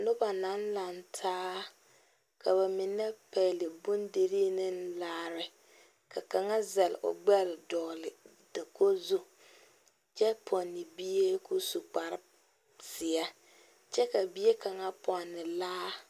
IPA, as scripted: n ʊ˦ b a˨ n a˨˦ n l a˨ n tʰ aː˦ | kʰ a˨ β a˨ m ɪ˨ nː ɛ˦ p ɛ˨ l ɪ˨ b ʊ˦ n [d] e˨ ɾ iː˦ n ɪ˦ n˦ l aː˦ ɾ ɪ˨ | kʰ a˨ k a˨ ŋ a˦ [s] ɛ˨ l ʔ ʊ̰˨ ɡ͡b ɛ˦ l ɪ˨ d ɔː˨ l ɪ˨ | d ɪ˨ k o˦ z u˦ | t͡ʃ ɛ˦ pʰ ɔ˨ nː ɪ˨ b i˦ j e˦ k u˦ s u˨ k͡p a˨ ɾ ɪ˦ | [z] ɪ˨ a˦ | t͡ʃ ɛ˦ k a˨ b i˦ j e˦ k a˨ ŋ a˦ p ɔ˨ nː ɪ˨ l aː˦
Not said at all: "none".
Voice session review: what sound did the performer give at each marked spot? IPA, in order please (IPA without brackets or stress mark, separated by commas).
d, z, s